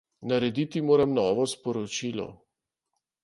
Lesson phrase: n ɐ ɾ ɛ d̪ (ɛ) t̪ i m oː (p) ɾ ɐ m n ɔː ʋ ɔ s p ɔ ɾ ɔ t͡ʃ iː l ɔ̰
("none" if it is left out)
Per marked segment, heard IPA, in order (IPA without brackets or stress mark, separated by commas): i, none